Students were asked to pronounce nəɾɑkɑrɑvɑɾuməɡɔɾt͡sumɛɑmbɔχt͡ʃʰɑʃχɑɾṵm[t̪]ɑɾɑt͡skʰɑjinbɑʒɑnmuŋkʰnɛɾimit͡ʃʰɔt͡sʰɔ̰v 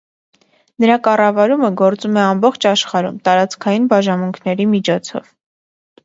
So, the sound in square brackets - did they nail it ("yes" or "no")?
yes